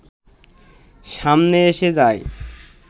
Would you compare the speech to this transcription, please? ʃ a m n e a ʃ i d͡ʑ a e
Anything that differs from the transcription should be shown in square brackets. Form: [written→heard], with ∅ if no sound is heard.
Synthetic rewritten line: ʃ a m n e [a→e] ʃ [i→e] d͡ʑ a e

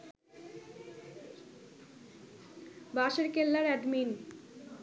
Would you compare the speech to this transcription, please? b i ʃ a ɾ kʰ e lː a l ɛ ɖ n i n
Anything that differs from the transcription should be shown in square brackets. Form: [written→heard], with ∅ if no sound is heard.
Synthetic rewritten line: b [i→a] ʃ [a→e] ɾ [kʰ→k] e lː a [l→ɾ] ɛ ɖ [n→m] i n

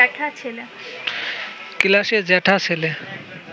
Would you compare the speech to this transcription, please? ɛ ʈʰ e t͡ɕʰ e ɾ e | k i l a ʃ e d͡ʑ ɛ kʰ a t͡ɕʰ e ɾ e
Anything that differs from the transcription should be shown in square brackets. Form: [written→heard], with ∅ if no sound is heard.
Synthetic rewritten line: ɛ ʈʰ [e→a] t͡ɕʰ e [ɾ→l] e | k i l a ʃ e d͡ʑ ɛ [kʰ→ʈʰ] a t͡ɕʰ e [ɾ→l] e

